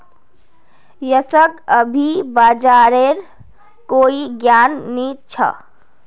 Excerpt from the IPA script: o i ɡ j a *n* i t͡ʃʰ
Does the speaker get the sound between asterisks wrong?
yes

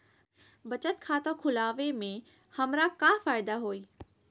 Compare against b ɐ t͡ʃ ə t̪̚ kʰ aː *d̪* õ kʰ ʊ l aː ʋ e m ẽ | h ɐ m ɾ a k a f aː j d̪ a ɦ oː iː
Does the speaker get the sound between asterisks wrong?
yes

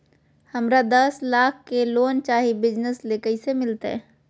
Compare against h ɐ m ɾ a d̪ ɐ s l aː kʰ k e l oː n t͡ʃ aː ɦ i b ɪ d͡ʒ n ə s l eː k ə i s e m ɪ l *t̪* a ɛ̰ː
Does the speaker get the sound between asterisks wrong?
no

